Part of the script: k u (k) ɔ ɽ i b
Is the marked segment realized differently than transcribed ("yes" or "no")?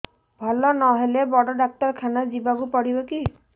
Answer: yes